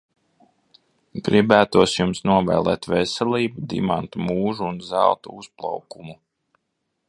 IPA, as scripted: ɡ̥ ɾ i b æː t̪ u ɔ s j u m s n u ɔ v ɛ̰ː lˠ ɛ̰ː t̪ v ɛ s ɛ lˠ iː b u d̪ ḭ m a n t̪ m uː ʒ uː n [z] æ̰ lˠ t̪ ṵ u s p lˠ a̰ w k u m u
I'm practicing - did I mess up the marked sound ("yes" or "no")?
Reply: no